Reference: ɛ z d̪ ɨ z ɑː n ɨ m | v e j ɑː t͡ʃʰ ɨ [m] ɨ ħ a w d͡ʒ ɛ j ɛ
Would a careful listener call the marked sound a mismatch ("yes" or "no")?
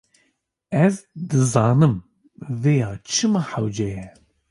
no